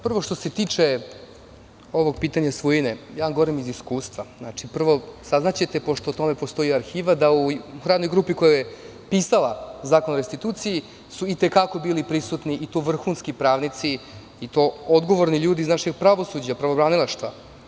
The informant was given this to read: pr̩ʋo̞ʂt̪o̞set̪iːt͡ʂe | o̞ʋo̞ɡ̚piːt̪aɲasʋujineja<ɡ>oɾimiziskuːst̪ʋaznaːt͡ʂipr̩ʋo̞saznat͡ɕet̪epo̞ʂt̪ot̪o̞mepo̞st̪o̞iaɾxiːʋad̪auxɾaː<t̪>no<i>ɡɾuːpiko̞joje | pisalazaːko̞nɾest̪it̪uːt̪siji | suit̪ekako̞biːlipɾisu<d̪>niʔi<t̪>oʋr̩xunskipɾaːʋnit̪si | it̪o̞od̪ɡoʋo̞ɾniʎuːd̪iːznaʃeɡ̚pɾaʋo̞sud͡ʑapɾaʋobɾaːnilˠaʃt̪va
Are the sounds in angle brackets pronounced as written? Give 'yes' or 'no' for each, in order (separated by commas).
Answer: yes, no, no, no, yes